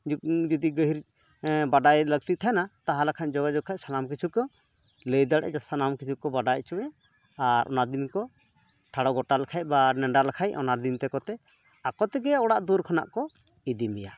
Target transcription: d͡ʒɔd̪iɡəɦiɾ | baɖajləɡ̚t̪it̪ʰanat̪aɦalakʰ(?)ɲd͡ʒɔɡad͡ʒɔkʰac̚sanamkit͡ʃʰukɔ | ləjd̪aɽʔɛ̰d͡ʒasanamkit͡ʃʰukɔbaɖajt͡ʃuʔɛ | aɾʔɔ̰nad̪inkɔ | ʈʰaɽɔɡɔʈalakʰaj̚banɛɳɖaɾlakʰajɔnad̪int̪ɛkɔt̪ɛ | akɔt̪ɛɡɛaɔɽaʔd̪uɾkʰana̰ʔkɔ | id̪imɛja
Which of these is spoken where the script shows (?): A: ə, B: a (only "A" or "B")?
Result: B